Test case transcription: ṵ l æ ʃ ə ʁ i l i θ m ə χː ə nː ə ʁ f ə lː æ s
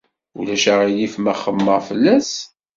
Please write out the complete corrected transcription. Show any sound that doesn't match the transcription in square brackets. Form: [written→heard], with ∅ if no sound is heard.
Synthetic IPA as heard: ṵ l æ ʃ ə ʁ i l i [θ→f] m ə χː ə [nː→mː] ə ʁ f ə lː æ s